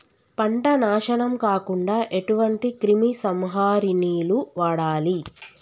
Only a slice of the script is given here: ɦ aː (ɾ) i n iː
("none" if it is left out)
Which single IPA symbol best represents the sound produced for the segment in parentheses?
ɾ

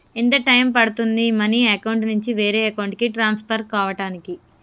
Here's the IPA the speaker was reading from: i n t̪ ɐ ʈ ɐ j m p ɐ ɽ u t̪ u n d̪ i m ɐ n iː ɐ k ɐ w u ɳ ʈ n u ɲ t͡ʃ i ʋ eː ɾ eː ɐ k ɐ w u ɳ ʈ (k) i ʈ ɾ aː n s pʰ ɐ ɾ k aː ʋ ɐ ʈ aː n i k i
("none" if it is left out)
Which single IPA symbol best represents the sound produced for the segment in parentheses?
k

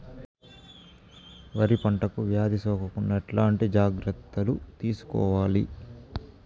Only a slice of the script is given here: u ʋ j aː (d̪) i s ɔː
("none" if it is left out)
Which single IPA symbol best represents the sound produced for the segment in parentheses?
d̪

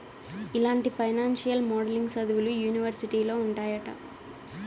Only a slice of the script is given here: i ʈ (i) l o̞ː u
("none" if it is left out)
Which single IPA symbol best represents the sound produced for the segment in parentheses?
iː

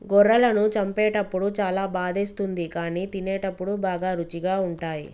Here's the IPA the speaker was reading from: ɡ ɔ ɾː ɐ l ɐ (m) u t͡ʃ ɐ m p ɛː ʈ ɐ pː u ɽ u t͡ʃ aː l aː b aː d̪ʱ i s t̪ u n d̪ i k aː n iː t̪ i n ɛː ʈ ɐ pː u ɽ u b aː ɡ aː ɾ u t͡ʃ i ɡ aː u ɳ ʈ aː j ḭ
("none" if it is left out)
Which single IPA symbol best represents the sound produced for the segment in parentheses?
n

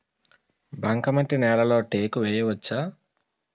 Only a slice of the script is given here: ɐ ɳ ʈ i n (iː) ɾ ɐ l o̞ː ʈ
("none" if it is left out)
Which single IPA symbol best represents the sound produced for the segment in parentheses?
ɛː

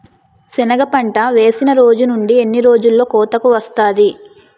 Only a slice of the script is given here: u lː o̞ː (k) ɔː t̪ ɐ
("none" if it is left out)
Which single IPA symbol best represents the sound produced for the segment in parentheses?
k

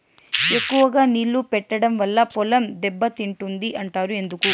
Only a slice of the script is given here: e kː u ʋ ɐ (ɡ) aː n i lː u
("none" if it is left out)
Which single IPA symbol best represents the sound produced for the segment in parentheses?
ɡ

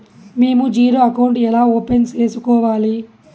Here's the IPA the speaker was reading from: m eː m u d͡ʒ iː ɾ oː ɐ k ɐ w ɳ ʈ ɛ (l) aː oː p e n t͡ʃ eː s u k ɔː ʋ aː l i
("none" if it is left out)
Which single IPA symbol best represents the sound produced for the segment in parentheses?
l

